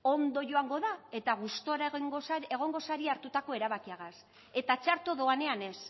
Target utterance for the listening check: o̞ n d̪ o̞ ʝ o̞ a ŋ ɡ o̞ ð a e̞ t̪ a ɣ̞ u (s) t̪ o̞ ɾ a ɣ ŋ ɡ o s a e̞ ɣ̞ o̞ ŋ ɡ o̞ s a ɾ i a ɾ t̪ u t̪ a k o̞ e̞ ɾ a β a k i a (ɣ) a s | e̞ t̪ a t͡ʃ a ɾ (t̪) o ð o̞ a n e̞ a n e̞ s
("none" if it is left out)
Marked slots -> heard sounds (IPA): s, ɣ, t̪

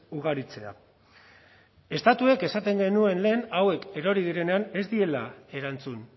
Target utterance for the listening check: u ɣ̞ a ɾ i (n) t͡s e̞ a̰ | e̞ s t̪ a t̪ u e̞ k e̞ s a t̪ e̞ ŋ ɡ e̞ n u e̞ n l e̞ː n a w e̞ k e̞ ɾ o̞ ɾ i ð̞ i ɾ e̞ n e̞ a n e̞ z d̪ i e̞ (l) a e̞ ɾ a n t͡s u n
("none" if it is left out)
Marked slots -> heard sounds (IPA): none, l

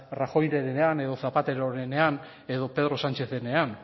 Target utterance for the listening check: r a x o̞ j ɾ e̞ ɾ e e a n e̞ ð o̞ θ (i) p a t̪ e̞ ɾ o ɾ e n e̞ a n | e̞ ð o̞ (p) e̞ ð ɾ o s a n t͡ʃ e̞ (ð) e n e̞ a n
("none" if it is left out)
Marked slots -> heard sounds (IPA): a, p, θ

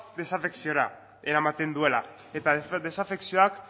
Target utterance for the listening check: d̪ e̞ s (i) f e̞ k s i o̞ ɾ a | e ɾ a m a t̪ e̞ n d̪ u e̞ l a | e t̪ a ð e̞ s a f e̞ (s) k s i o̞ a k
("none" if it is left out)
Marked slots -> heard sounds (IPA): a, none

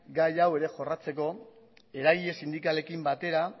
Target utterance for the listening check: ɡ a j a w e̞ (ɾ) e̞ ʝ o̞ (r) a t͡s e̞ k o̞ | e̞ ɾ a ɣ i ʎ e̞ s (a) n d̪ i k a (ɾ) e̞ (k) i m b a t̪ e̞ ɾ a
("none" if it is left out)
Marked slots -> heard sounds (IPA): ɾ, r, i, l, k

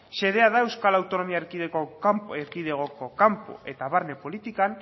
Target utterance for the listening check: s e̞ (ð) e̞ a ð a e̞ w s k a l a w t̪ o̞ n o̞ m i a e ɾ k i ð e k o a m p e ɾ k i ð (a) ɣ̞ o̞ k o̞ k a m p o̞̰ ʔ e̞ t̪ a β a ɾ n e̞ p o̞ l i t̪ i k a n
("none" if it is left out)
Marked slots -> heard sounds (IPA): ð, e

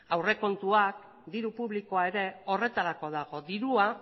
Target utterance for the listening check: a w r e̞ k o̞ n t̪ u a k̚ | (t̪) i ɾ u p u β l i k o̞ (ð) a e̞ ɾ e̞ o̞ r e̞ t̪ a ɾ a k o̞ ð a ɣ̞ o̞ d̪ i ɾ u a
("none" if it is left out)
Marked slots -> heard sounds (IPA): d̪, none

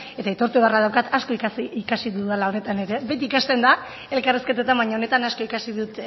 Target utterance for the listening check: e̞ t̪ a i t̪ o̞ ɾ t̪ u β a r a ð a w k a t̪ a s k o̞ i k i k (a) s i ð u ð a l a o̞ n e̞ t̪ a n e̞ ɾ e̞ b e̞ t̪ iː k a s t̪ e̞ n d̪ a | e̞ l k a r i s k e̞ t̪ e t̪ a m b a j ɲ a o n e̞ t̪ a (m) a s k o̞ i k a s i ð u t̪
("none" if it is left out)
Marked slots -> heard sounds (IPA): a, n

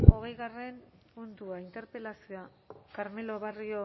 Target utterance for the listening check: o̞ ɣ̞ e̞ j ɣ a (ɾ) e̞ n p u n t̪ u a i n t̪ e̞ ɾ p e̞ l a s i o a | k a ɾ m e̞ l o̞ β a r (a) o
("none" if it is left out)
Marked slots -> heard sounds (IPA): r, i

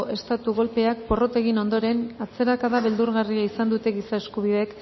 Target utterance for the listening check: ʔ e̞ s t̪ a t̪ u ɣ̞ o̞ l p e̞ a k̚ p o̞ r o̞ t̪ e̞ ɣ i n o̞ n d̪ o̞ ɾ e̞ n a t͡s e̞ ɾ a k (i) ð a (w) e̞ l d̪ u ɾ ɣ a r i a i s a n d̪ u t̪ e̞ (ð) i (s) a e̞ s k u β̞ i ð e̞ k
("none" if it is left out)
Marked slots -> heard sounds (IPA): a, β, ɣ, s

